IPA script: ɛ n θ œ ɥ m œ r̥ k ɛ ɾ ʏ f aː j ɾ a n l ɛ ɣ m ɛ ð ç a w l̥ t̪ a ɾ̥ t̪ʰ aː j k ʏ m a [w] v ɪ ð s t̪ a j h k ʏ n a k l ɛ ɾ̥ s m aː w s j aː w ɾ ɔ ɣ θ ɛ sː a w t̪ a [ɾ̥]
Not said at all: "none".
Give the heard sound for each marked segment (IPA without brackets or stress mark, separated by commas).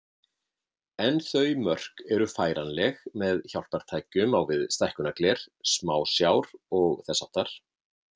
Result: w, ɾ̥